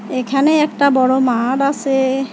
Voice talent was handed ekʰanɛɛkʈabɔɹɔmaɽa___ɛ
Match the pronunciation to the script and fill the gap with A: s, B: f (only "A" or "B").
A